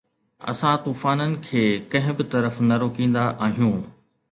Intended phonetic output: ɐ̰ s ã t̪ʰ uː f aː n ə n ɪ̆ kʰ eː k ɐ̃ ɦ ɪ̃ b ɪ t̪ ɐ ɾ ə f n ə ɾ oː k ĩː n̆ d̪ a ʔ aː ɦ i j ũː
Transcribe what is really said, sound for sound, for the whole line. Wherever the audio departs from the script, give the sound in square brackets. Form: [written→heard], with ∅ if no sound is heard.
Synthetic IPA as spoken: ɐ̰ s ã [t̪ʰ→t̪] uː f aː n ə n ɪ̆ kʰ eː k ɐ̃ ɦ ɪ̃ b ɪ t̪ ɐ ɾ ə f n [ə→ɐ] ɾ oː k ĩː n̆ d̪ a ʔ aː ɦ i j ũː

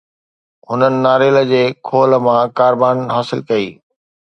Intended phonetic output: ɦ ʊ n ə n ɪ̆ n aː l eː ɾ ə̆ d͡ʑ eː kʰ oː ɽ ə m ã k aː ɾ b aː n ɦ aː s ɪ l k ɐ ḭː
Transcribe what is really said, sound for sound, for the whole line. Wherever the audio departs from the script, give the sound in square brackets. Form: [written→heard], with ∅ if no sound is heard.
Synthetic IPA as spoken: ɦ ʊ n ə n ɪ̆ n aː [l→ɾ] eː [ɾ→l] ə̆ d͡ʑ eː kʰ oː [ɽ→l] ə m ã k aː ɾ b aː n ɦ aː s ɪ l k ɐ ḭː

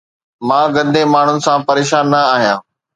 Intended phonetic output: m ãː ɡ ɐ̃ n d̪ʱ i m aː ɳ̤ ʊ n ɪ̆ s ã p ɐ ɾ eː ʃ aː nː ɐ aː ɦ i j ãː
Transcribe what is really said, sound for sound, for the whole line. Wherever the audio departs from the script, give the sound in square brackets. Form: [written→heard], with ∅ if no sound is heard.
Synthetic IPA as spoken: m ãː ɡ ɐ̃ n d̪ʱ [i→e] m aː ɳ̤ ʊ n ɪ̆ s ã p ɐ ɾ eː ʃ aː nː ɐ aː ɦ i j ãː

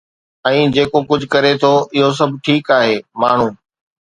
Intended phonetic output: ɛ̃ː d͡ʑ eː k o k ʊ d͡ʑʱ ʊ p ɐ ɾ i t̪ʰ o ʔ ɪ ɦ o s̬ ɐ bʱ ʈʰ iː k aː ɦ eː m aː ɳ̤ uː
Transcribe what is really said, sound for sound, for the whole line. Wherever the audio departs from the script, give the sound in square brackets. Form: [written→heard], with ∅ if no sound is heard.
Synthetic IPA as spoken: ɛ̃ː d͡ʑ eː k o k ʊ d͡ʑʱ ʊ [p→k] ɐ ɾ [i→e] t̪ʰ o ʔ ɪ ɦ o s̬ ɐ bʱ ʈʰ iː k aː ɦ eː m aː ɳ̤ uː

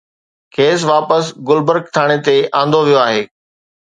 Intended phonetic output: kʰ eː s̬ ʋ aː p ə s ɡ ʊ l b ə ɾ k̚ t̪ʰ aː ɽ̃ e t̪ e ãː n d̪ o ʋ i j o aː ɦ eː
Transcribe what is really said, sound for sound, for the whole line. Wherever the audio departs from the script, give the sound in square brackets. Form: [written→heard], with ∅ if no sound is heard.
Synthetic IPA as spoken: kʰ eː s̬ ʋ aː p ə s ɡ ʊ l b ə ɾ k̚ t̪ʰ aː ɽ̃ e t̪ e ãː n d̪ o ʋ i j o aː ɦ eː

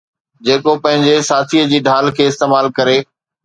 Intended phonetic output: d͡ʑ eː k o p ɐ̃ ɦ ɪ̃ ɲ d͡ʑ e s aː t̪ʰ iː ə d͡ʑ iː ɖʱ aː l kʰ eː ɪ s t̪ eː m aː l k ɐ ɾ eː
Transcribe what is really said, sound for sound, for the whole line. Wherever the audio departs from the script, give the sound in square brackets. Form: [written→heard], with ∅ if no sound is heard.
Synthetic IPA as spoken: d͡ʑ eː k o p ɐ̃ ɦ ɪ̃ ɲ d͡ʑ e s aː t̪ʰ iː ə d͡ʑ iː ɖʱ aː l kʰ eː ɪ s t̪ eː m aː l k ɐ ɾ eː

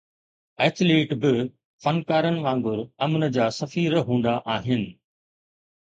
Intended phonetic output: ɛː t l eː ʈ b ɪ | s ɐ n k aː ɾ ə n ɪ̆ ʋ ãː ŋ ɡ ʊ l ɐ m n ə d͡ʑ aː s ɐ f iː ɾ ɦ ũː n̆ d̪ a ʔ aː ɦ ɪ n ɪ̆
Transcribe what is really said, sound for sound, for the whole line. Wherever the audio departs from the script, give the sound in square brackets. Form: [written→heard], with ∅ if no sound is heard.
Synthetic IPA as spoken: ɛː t l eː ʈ b ɪ | [s→f] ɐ n k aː ɾ ə n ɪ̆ ʋ ãː ŋ ɡ ʊ [l→ɾ] ɐ m n ə d͡ʑ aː s ɐ f iː ɾ ɦ ũː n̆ d̪ a ʔ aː ɦ ɪ n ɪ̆

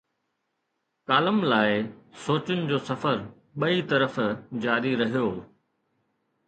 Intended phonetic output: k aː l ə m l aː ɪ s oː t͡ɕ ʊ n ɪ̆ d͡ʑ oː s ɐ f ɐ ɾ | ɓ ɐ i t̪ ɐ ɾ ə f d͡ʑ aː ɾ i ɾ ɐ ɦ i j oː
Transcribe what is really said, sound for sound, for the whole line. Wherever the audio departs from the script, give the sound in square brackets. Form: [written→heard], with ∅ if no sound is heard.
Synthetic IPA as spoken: k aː l ə m l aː ɪ s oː t͡ɕ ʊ n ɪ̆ d͡ʑ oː s ɐ f [ɐ→ə] ɾ | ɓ ɐ i t̪ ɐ ɾ ə f d͡ʑ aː ɾ i ɾ ɐ ɦ i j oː

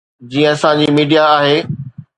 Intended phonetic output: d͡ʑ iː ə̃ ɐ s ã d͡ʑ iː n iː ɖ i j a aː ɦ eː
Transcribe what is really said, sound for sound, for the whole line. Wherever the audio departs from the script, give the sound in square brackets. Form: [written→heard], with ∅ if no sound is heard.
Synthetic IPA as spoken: d͡ʑ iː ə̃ ɐ s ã d͡ʑ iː [n→m] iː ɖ i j a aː ɦ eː

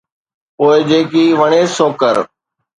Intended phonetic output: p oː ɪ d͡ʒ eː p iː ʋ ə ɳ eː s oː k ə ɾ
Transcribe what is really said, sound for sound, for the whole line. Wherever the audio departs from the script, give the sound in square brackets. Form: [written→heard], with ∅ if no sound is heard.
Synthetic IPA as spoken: p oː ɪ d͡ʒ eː [p→k] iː ʋ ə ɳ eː s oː k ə ɾ

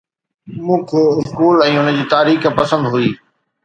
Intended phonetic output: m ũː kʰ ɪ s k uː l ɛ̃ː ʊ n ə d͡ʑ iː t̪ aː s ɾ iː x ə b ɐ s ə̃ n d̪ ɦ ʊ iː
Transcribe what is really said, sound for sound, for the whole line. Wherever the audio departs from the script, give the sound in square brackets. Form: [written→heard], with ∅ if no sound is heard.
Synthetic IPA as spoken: m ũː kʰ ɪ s k uː l ɛ̃ː ʊ n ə d͡ʑ iː t̪ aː [s→∅] ɾ iː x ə [b→p] ɐ s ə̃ n d̪ ɦ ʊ iː

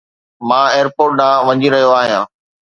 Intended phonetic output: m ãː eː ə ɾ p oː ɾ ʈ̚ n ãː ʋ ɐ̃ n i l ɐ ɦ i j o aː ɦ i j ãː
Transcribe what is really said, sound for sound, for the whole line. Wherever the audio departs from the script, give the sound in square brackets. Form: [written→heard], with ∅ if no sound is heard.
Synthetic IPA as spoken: m ãː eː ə ɾ p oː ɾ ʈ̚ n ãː ʋ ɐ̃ [n→ɲ] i [l→ɾ] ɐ ɦ i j o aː ɦ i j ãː

